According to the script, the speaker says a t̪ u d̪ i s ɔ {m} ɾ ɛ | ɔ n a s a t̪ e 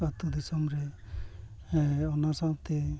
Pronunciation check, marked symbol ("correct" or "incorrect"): correct